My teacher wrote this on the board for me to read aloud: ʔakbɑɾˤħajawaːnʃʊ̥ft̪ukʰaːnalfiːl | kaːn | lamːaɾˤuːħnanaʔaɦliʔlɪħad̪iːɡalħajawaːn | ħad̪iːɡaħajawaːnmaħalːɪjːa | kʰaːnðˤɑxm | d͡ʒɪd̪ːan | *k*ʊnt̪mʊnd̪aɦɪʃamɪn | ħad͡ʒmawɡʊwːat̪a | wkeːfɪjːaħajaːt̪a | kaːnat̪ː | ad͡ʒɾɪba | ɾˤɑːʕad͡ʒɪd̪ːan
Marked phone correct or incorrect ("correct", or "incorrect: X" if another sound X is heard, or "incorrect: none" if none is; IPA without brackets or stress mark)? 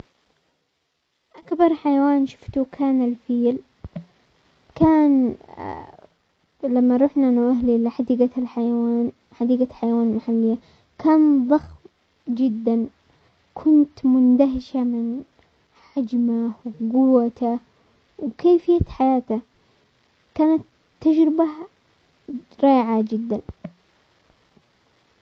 incorrect: kʰ